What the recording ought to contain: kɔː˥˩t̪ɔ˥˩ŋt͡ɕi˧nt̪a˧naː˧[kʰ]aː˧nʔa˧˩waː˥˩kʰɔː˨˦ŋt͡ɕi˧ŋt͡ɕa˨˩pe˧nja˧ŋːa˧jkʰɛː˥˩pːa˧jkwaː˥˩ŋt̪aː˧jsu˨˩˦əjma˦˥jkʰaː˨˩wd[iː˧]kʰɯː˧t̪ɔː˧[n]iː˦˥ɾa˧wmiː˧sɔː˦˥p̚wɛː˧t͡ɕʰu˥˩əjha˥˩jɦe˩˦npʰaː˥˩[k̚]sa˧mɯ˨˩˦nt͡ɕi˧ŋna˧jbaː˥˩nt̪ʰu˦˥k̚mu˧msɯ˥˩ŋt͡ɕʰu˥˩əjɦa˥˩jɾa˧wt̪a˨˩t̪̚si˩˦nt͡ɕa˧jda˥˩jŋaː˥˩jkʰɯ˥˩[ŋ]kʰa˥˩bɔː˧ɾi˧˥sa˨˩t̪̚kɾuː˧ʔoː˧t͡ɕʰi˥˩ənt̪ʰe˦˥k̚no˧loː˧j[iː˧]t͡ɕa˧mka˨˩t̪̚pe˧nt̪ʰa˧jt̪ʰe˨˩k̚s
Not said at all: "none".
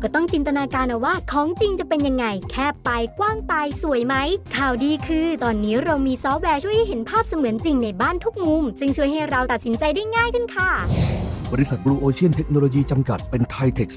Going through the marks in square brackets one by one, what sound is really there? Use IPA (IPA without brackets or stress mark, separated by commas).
k, iː˧, nː, p̚, n, iː˧